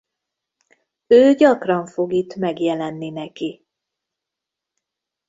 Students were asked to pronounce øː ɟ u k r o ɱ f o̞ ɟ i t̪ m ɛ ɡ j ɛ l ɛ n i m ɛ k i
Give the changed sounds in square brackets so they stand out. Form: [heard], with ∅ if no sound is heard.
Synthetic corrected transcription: øː ɟ [ɒ] k r [ɒ] ɱ f o̞ [ɡ] i t̪ m ɛ ɡ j ɛ l ɛ [nː] i [n] ɛ k i

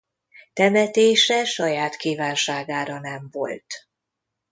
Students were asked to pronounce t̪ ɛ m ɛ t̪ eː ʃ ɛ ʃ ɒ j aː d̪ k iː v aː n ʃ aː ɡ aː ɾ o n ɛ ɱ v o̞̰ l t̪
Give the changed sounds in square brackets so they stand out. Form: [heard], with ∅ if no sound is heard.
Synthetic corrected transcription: t̪ ɛ m ɛ t̪ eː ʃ ɛ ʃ ɒ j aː [t̪] k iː v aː n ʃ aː ɡ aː ɾ [ɒ] n ɛ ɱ v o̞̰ l t̪

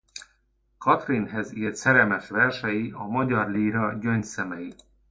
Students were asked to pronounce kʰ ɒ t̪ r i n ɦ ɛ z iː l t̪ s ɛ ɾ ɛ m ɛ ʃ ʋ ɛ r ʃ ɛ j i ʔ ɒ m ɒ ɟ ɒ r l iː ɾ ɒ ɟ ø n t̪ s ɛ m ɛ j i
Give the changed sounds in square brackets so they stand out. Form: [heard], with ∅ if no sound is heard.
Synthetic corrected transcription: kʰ ɒ t̪ r i n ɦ ɛ z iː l t̪ s ɛ ɾ ɛ m ɛ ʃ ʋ ɛ r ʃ ɛ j i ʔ ɒ m ɒ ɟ ɒ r l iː ɾ ɒ ɟ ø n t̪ s ɛ m ɛ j i

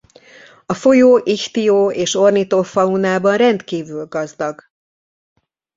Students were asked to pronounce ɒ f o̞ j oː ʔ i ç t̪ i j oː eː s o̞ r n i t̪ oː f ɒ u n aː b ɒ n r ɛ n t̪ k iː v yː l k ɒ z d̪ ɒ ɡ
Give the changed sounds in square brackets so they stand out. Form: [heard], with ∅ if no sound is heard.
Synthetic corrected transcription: ɒ f o̞ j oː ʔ i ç t̪ i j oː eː [ʃ] o̞ r n i t̪ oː f ɒ u n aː b ɒ n r ɛ n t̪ k iː v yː l [ɡ] ɒ z d̪ ɒ ɡ

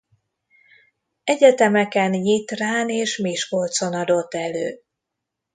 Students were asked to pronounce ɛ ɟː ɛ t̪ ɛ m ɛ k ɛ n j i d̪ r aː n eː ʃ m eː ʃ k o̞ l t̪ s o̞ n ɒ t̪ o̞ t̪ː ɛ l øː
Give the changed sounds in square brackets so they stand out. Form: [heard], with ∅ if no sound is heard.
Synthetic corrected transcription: ɛ [ɟ] ɛ t̪ ɛ m ɛ k ɛ n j i [t̪] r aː n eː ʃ m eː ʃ k o̞ l t̪ s o̞ n ɒ [d̪] o̞ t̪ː ɛ l øː

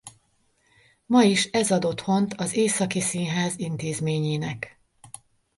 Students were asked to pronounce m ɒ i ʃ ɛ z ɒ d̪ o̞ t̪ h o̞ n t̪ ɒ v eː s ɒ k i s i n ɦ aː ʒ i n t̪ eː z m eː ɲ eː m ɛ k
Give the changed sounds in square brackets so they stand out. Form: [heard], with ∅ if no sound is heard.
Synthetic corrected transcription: m ɒ i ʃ ɛ z ɒ d̪ o̞ t̪ h o̞ n t̪ ɒ [z] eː s ɒ k i s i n ɦ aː [z] i n t̪ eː z m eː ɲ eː [n] ɛ k

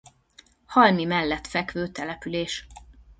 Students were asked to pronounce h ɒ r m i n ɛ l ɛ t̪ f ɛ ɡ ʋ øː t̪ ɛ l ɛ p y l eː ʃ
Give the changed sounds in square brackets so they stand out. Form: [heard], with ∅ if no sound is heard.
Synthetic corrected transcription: h ɒ [l] m i [m] ɛ [lː] ɛ t̪ f ɛ [k] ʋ øː t̪ ɛ l ɛ p y l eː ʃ

